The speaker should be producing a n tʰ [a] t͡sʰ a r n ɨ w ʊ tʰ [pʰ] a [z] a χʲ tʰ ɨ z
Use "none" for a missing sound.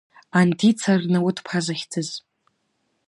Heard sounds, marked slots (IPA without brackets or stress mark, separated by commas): i, pʰ, z